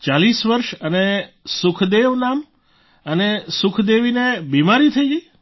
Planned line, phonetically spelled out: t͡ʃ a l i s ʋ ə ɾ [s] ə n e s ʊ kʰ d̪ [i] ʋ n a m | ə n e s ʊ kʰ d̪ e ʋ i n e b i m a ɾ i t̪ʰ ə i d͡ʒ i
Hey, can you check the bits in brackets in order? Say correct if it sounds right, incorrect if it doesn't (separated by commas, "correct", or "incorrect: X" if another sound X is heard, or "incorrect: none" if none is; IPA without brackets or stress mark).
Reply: incorrect: ʃ, incorrect: e